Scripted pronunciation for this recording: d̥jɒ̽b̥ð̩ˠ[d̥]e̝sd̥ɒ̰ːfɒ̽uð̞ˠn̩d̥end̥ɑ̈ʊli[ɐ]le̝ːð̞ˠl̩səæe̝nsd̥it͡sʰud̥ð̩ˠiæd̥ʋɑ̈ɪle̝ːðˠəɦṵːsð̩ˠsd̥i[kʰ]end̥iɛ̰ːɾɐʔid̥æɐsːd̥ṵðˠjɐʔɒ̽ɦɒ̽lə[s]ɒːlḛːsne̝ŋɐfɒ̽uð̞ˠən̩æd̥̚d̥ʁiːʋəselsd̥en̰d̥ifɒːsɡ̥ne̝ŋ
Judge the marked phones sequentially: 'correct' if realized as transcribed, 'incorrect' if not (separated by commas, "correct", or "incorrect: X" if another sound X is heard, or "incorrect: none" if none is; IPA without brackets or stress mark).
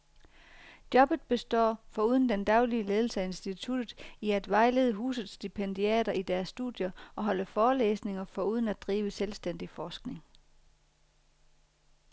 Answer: incorrect: b̥, incorrect: ə, incorrect: pʰ, incorrect: f